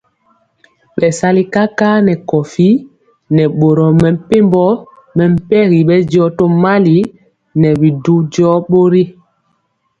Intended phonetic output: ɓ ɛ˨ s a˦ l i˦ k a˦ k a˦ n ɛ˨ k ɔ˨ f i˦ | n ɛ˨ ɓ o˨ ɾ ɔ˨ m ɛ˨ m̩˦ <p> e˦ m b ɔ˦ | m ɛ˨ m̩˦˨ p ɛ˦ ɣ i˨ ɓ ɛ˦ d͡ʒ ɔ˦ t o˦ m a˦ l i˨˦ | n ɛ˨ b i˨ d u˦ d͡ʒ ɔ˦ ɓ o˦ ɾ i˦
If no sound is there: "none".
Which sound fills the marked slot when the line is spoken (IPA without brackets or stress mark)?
p